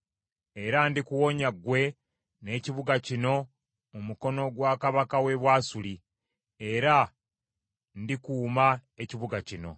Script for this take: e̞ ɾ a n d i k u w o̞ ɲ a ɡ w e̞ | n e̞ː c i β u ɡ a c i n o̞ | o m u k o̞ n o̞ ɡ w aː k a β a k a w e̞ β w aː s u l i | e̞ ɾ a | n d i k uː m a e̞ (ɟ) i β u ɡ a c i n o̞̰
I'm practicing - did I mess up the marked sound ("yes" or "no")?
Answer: yes